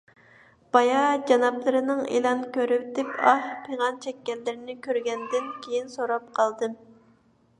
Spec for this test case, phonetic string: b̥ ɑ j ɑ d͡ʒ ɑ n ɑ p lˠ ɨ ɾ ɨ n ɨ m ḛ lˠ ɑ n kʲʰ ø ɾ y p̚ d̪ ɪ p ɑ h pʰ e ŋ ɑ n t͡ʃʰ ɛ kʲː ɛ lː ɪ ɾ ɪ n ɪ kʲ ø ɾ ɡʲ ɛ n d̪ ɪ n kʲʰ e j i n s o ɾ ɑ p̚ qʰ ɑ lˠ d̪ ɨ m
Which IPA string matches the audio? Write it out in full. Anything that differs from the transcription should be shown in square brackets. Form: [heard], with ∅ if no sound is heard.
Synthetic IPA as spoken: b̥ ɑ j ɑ d͡ʒ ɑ n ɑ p lˠ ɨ ɾ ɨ n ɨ [ŋ] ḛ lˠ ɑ n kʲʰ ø ɾ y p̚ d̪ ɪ p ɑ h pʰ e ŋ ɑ n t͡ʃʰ ɛ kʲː ɛ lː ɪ ɾ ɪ n ɪ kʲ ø ɾ ɡʲ ɛ n d̪ ɪ n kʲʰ e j i n s o ɾ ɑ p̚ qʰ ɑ lˠ d̪ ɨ m